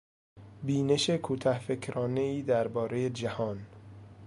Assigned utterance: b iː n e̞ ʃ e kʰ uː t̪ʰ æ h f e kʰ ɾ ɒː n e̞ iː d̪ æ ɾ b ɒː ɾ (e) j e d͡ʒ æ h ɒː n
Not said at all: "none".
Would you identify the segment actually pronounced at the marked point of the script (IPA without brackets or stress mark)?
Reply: e